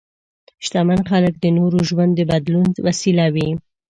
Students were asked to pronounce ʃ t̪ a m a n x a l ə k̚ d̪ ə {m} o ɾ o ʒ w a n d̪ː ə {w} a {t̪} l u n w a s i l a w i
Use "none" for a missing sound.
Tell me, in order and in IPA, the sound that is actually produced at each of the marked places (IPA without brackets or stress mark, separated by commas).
n, b, d̪